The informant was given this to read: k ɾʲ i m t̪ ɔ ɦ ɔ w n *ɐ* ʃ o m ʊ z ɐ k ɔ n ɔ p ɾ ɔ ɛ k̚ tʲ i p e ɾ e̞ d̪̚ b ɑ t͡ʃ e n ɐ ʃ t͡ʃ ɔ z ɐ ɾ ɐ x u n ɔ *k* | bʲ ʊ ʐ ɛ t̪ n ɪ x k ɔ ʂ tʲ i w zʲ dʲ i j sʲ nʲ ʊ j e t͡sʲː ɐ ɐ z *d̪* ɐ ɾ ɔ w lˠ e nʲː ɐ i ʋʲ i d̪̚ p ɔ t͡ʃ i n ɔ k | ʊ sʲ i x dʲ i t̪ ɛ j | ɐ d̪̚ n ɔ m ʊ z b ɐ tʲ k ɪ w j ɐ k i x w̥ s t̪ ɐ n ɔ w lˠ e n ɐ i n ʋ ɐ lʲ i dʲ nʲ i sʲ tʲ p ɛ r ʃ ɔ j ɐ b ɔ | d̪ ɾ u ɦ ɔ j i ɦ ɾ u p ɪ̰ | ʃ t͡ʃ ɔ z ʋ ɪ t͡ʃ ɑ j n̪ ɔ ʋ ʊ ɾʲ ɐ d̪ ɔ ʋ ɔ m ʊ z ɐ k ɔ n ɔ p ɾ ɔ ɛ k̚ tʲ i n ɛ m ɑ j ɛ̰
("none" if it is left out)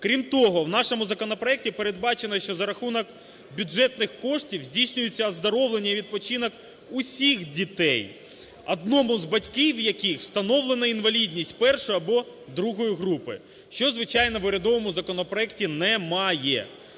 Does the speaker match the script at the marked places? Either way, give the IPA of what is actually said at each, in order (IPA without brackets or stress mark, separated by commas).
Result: ɑ, k, d̪